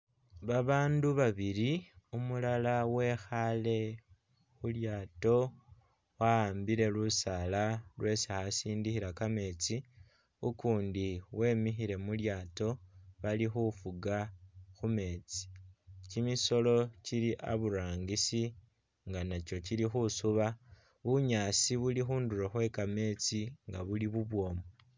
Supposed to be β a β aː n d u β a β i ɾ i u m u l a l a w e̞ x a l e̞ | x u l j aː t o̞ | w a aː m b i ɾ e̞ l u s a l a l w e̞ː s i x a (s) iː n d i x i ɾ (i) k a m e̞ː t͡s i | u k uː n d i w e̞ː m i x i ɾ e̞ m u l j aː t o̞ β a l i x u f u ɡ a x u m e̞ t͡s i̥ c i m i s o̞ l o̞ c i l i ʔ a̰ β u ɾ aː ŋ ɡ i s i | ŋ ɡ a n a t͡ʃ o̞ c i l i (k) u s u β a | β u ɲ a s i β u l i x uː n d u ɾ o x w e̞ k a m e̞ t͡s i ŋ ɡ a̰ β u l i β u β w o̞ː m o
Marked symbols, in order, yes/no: yes, no, no

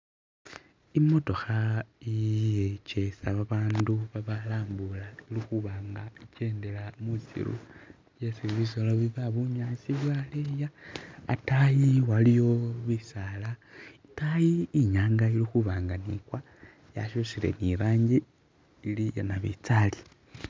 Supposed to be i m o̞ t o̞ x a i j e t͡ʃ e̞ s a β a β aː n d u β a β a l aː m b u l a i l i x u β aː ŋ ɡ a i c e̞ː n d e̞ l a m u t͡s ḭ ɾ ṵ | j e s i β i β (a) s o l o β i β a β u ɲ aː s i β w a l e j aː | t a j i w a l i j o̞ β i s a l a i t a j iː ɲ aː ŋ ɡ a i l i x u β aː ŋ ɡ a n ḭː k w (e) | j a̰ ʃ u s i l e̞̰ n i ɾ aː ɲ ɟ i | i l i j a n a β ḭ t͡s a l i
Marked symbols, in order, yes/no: no, no

